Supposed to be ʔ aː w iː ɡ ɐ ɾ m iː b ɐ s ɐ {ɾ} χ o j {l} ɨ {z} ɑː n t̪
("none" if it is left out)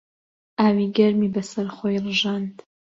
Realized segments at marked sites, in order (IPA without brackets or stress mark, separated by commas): ɾ, r, ʒ